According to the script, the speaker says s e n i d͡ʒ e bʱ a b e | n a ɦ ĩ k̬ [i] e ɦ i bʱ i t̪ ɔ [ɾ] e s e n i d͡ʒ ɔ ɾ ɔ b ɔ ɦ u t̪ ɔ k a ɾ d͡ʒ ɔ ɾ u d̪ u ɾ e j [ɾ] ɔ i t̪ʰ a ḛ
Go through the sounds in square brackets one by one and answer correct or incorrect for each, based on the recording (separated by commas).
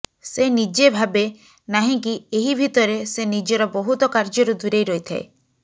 correct, correct, correct